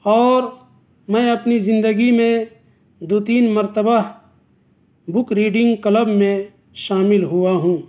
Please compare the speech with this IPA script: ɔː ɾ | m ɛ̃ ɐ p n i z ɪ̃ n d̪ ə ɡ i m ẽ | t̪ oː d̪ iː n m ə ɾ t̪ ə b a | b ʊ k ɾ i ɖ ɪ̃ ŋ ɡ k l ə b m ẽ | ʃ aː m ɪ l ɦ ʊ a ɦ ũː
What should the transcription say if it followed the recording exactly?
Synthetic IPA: ɔː ɾ | m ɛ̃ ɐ p n i z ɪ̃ n d̪ ə ɡ i m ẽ | d̪ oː t̪ iː n m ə ɾ t̪ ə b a | b ʊ k ɾ iː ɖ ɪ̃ ŋ ɡ k l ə b m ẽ | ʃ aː m ɪ l ɦ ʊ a ɦ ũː